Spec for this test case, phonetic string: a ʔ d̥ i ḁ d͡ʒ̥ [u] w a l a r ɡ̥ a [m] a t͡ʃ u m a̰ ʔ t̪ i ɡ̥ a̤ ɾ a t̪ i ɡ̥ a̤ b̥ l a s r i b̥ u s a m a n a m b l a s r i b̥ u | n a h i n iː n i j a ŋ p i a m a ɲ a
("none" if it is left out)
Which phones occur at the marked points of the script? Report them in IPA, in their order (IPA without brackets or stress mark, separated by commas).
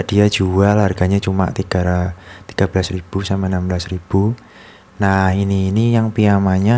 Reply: u, ɲ